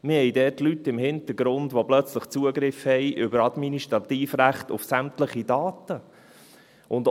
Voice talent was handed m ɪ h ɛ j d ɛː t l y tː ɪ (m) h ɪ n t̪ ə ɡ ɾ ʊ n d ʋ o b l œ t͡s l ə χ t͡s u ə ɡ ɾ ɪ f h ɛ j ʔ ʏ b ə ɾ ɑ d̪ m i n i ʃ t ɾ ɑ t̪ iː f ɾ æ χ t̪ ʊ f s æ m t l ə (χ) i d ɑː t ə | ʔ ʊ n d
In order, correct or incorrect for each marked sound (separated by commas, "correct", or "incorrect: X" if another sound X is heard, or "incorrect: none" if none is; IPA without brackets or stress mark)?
correct, correct